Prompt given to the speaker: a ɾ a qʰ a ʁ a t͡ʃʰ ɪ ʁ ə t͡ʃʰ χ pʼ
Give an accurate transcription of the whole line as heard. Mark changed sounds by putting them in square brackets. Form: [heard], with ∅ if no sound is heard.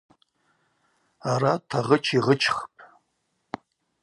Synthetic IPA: a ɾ a [tʰ] a ʁ [ə] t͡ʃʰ [i] ʁ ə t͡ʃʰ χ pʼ